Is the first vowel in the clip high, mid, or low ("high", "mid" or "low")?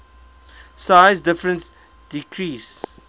low